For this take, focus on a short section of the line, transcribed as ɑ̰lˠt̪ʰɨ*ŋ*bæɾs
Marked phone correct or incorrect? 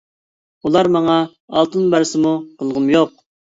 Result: incorrect